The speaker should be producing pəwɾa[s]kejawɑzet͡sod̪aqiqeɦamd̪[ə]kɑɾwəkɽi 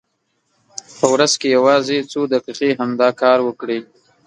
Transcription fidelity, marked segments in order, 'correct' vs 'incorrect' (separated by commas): incorrect, incorrect